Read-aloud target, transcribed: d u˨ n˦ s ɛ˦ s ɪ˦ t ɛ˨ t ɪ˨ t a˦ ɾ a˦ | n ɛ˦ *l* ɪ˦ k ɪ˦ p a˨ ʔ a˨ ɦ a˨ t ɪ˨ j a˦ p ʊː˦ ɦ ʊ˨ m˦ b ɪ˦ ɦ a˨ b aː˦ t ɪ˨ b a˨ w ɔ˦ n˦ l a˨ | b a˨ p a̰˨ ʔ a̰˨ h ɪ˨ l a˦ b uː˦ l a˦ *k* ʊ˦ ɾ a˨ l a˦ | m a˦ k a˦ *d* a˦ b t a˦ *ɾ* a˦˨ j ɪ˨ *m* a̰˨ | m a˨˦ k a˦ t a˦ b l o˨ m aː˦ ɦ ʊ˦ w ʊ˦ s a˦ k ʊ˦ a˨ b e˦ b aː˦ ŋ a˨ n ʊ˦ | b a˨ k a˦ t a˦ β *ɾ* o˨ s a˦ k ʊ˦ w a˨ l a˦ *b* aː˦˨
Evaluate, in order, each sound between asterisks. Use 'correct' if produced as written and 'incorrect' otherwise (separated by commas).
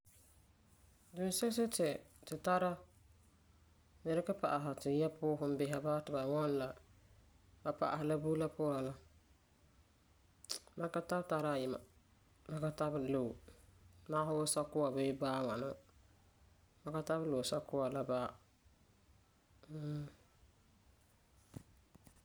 incorrect, incorrect, incorrect, correct, correct, incorrect, correct